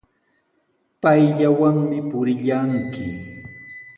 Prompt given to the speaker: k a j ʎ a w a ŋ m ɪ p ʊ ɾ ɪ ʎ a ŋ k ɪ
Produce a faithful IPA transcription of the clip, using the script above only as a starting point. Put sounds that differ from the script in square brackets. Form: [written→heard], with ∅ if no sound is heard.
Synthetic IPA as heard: [k→p] a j ʎ a w a ŋ m ɪ p ʊ ɾ ɪ ʎ a ŋ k ɪ